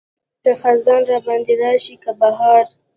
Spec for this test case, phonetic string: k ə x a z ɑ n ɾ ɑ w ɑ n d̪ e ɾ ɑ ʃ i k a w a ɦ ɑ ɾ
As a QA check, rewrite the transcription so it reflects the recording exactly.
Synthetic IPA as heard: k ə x a z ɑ n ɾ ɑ b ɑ n d̪ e ɾ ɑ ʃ i k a b a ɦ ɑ ɾ